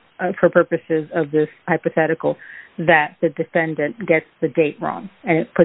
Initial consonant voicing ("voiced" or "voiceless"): voiceless